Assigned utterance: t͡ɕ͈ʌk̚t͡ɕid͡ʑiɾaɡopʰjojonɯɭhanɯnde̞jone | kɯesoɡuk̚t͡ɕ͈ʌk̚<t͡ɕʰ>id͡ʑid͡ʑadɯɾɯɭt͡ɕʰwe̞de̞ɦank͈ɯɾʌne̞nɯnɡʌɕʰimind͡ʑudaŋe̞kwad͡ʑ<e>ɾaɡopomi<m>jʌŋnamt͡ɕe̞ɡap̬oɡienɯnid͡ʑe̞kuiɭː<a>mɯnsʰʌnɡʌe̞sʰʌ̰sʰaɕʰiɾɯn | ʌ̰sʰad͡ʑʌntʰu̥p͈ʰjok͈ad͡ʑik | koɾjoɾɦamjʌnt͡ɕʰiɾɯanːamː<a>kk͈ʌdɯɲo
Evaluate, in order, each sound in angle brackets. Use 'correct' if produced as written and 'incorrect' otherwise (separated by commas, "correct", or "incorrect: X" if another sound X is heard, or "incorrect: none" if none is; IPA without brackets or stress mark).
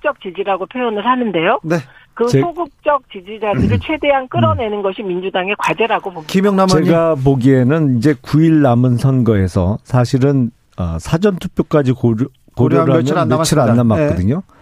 incorrect: t͡ɕ, correct, correct, correct, correct